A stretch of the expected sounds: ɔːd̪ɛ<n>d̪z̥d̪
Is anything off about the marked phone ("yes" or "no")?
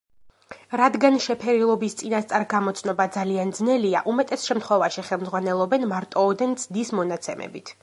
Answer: no